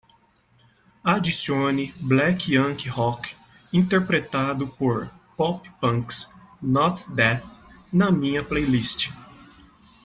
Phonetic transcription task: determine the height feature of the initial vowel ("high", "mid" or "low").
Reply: low